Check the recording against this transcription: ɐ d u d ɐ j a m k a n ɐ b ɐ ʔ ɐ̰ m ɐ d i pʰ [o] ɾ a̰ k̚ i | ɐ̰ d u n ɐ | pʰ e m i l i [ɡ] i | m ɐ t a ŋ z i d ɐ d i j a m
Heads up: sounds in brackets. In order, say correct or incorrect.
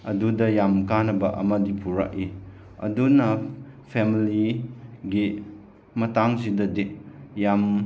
incorrect: u, correct

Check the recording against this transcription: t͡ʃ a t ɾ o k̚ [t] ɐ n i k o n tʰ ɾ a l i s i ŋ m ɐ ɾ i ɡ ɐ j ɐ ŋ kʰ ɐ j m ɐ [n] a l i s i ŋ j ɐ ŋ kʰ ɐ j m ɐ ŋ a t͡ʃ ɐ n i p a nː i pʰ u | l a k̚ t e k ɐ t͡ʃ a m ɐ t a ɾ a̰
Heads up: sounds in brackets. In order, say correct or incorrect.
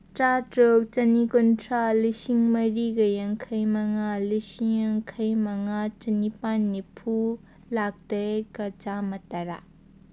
incorrect: t͡ʃ, incorrect: ŋ

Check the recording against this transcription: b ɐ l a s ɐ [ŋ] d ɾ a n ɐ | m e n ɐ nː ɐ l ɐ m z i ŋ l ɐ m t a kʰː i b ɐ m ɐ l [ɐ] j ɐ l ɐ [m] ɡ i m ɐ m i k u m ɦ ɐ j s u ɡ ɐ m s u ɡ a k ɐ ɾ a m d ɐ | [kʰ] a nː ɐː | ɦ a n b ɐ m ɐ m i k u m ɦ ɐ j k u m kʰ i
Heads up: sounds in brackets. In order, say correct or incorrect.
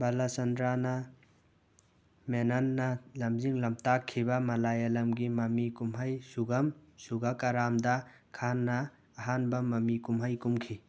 incorrect: n, incorrect: a, correct, correct

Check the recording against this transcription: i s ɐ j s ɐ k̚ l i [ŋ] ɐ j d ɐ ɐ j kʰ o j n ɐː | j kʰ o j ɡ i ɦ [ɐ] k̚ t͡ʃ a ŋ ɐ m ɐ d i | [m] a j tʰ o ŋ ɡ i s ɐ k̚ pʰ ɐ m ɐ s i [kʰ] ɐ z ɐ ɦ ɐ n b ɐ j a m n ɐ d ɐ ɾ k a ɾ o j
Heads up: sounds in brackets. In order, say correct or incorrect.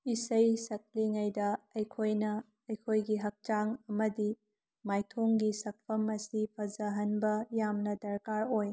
correct, correct, correct, incorrect: pʰ

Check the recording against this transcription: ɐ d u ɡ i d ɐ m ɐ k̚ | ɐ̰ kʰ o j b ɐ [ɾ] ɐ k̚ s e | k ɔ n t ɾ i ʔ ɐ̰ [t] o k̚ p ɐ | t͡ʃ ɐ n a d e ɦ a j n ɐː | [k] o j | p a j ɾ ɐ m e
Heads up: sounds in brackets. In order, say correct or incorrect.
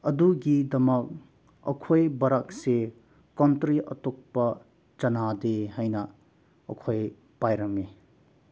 correct, correct, incorrect: kʰ

